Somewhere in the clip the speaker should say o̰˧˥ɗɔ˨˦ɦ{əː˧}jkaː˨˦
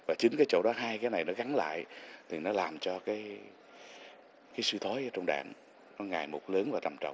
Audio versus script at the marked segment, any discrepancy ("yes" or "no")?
yes